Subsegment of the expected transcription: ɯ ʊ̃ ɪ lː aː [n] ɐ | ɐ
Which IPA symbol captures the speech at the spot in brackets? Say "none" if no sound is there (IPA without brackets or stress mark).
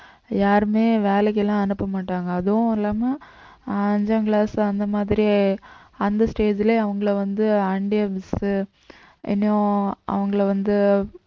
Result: m